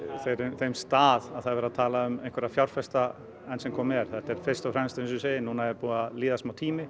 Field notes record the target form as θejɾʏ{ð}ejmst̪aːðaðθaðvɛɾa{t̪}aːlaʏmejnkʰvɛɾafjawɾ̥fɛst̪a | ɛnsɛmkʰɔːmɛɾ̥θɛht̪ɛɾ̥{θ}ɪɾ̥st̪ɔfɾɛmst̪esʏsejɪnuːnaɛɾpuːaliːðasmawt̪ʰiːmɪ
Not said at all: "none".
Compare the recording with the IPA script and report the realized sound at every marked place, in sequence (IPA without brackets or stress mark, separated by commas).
θ, t̪ʰ, f